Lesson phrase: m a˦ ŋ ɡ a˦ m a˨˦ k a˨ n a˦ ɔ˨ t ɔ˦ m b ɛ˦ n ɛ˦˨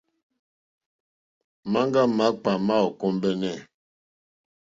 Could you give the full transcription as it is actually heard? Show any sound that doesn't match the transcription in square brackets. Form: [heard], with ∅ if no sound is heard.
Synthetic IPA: m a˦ ŋ ɡ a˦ m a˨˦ [k͡p] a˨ [m] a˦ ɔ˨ [k] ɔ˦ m b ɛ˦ n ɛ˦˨